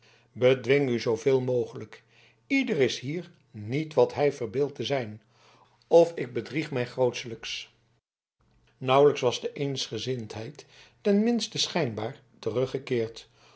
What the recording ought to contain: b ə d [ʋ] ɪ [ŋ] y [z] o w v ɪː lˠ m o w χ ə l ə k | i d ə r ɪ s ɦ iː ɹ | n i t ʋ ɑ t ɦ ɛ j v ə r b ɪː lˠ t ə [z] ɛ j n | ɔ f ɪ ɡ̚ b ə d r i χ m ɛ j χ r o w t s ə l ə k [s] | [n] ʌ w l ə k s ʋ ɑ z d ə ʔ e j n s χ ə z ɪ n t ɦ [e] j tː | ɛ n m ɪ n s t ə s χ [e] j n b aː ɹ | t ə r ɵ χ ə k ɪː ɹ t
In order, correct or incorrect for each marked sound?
correct, correct, correct, correct, correct, correct, incorrect, incorrect

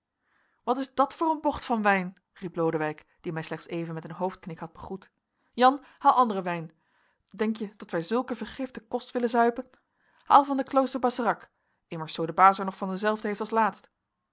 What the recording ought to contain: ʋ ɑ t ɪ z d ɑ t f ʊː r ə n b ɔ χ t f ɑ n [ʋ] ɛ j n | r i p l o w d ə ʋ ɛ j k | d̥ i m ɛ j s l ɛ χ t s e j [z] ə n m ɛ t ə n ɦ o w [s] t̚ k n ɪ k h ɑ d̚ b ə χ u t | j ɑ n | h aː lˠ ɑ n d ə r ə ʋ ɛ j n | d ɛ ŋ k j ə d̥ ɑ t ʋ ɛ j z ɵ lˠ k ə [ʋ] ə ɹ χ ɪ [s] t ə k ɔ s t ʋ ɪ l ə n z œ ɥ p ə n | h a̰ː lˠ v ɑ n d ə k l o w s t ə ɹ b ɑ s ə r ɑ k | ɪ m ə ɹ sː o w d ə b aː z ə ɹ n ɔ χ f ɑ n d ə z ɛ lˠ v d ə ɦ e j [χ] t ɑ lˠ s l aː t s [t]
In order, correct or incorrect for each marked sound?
correct, incorrect, incorrect, incorrect, incorrect, incorrect, correct

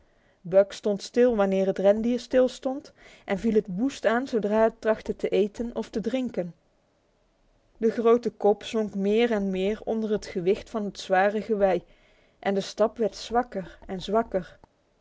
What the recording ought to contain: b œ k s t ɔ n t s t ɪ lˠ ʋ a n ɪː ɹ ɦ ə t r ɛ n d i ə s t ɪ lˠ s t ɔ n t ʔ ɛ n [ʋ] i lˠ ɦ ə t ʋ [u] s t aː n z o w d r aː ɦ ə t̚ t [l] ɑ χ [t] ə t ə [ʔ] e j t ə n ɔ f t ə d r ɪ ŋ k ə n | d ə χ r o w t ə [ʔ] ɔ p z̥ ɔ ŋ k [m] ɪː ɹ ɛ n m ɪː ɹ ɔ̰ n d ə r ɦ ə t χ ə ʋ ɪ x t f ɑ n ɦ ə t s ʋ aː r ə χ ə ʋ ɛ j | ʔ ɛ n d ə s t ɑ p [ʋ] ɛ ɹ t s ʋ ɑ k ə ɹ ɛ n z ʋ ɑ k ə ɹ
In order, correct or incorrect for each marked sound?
incorrect, correct, incorrect, correct, correct, incorrect, correct, correct

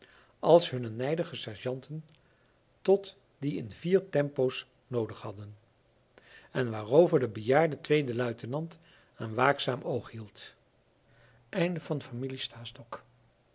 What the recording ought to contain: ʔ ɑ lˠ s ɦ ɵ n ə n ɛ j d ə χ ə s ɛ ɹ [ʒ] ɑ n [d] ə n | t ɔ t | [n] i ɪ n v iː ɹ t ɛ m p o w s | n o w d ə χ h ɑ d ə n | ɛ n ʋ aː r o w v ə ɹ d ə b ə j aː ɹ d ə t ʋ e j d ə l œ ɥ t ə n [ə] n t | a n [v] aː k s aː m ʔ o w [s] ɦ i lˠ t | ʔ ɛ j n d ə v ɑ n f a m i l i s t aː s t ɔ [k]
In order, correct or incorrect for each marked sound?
correct, incorrect, incorrect, incorrect, incorrect, incorrect, correct

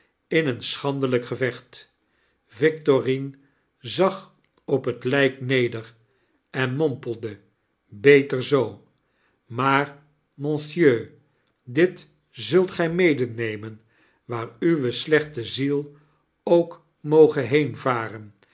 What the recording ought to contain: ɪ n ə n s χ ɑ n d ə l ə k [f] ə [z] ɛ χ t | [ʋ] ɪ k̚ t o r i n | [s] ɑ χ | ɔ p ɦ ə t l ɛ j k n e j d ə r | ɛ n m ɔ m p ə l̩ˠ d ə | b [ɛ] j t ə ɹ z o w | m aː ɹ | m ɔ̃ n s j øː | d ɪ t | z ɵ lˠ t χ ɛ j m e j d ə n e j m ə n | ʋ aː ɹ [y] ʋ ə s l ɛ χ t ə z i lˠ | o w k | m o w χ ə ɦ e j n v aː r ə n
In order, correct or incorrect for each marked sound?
incorrect, incorrect, incorrect, incorrect, incorrect, correct

